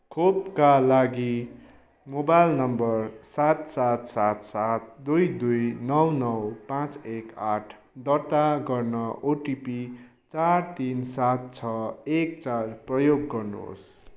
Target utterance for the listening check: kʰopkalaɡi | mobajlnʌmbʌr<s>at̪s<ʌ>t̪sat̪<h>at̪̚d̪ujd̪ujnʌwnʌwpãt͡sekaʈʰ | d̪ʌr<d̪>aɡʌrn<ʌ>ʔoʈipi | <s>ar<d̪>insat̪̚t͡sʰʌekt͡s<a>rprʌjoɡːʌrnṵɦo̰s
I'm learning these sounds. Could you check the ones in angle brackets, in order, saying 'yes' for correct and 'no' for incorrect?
yes, no, no, no, yes, no, no, yes

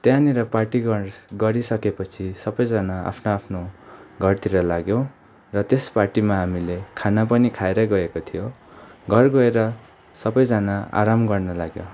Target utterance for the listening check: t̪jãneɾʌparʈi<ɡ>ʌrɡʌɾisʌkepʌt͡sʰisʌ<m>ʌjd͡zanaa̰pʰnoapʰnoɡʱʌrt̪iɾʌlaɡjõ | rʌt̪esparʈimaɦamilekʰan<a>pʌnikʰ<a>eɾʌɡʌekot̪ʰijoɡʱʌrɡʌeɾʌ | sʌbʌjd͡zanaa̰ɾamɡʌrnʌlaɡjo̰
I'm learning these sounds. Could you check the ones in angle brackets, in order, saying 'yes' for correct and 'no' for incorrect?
yes, no, yes, yes

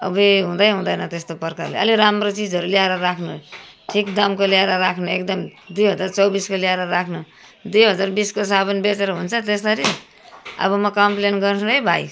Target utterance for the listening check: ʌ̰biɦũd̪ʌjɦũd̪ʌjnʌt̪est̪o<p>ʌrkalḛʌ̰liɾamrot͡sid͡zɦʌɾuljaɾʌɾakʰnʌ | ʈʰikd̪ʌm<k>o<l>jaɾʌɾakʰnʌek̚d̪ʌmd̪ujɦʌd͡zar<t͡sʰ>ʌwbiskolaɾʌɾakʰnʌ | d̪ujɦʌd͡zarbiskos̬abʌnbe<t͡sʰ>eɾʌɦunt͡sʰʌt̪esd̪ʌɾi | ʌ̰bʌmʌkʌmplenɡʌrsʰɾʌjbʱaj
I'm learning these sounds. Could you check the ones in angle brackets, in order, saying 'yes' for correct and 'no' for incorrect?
yes, yes, yes, no, no

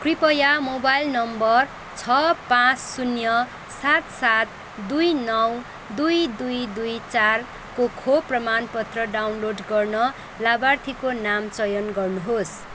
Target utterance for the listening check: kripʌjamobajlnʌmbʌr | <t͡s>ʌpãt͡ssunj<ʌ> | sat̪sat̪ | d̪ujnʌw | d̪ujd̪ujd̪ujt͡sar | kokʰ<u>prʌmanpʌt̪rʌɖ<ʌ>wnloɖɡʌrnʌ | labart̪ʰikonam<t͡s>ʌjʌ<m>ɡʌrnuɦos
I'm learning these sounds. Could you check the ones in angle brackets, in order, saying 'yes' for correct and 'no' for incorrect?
no, yes, no, no, yes, no

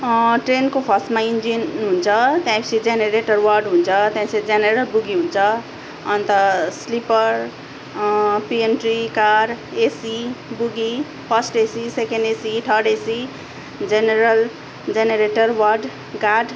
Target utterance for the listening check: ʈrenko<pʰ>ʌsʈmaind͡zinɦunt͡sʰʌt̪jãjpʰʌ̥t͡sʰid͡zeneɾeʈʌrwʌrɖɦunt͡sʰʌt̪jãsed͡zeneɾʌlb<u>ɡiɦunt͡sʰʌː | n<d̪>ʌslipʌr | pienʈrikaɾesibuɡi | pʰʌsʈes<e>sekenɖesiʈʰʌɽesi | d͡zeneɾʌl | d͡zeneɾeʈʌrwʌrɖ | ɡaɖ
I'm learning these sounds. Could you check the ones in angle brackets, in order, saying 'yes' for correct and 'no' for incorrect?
yes, yes, no, no

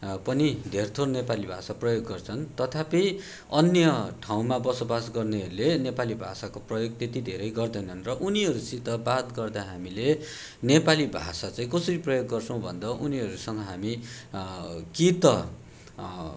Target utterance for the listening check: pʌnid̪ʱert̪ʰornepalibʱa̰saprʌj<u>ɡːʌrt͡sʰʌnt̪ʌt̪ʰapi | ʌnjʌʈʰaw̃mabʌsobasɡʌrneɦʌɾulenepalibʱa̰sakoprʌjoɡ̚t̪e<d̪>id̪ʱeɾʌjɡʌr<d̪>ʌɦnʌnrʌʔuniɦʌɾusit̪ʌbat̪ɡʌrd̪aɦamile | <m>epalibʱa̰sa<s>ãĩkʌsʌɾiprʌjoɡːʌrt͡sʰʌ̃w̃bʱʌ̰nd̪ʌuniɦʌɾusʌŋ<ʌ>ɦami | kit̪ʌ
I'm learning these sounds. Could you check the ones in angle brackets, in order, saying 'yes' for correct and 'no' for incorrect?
no, no, yes, no, no, yes

